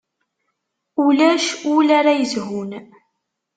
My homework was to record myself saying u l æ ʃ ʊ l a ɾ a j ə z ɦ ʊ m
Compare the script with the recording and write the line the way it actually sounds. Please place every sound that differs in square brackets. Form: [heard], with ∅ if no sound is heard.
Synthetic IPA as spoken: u l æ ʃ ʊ l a ɾ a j ə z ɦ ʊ [n]